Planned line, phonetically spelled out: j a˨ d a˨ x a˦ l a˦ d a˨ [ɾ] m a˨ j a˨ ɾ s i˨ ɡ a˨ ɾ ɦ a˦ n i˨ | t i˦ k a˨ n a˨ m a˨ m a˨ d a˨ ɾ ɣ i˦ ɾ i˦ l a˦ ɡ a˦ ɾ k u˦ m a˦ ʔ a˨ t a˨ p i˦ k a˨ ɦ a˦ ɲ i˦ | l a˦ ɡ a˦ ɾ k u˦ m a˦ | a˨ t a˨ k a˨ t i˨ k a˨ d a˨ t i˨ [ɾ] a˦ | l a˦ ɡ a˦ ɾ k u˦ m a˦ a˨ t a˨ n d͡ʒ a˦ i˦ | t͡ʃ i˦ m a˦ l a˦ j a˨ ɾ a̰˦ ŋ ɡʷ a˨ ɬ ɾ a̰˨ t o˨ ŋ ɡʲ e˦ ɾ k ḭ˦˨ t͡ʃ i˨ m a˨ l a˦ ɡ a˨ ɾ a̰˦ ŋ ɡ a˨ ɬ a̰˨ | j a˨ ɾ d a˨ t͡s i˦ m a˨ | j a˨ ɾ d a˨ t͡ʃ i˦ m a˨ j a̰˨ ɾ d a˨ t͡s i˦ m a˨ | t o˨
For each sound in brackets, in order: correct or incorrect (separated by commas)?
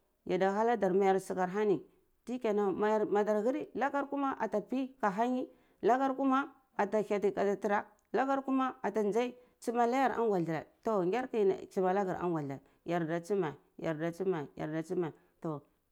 correct, correct